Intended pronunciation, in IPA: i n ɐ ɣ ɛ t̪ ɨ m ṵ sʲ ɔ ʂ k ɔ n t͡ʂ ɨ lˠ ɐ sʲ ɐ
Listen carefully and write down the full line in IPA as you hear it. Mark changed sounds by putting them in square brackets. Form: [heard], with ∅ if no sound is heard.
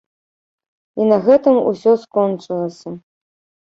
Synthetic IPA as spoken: i n ɐ ɣ ɛ t̪ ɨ m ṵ sʲ ɔ [s] k ɔ n t͡ʂ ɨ lˠ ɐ sʲ ɐ